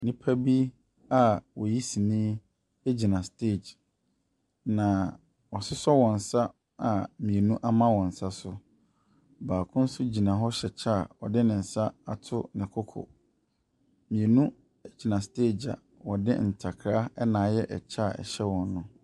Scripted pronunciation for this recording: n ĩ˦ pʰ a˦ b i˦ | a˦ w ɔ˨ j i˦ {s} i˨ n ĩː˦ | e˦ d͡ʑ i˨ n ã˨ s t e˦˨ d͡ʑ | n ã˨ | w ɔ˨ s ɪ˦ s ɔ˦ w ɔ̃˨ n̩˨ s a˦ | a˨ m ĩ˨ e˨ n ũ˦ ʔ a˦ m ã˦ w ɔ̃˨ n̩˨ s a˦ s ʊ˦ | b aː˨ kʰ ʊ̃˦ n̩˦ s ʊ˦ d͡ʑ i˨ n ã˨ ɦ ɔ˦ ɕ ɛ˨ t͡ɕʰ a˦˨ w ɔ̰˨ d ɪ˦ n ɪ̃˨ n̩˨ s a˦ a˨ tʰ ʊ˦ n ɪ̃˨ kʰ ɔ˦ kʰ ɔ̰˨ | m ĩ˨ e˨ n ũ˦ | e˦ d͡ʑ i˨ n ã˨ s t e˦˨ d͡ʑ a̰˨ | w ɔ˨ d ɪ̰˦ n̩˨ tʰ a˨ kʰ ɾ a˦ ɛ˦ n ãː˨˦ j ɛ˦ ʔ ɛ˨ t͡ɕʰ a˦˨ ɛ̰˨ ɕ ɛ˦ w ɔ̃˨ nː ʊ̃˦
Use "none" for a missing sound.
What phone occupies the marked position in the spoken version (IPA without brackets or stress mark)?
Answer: s